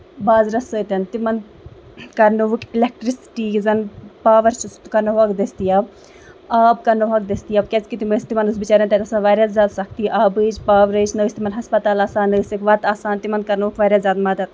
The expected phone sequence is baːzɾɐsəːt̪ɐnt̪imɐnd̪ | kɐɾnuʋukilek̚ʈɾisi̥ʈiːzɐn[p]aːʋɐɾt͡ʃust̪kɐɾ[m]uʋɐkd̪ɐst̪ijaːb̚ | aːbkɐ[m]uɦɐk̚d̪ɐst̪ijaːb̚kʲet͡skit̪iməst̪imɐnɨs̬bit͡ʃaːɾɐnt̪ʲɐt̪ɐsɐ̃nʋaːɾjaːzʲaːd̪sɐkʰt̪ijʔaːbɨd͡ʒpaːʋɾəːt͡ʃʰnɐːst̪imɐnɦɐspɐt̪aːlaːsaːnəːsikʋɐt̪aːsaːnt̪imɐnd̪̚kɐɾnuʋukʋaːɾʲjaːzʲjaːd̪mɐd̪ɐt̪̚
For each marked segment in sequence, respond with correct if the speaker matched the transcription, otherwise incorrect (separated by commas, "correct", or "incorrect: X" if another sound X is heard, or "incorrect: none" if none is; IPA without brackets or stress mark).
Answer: correct, incorrect: n, incorrect: n